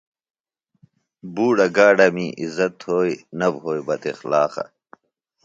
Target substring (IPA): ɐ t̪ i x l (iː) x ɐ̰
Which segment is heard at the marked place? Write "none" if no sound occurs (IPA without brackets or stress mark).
aː